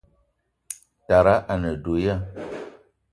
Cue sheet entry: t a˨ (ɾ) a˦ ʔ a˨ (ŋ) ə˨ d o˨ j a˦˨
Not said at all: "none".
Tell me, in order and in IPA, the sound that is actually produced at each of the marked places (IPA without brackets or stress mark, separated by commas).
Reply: ɾ, n